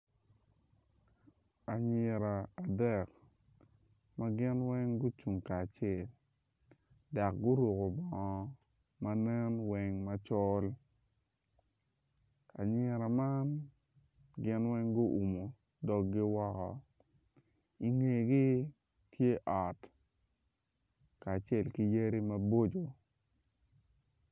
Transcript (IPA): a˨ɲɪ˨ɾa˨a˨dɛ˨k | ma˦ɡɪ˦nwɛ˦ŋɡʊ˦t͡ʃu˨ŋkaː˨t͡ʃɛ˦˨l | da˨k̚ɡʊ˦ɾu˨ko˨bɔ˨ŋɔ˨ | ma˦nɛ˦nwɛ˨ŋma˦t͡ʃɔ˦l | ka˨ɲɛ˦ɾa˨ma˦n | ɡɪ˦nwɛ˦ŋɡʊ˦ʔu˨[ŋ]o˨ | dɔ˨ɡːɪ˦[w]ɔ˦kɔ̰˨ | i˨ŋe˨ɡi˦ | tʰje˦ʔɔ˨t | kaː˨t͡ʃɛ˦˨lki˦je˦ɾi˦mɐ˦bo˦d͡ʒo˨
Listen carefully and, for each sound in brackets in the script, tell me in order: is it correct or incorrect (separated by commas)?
incorrect, correct